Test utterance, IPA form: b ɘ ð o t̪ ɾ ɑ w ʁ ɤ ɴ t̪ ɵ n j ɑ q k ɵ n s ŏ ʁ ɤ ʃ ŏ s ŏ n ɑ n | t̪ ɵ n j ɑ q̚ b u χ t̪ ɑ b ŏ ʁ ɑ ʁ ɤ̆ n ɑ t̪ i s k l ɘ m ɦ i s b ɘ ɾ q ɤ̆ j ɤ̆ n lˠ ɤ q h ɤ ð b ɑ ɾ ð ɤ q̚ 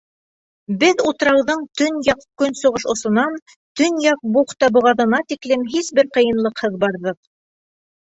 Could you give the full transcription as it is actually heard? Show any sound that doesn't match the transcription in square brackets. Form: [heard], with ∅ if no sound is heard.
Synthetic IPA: b ɘ ð [u] t̪ ɾ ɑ w [ð] ɤ ɴ t̪ ɵ n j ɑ q k ɵ n s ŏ ʁ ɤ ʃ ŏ s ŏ n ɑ n | t̪ ɵ n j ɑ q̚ b u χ t̪ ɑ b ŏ ʁ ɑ [ð] ɤ̆ n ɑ t̪ i [∅] k l ɘ m ɦ i s b ɘ ɾ q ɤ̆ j ɤ̆ n lˠ ɤ q h ɤ ð b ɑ ɾ ð ɤ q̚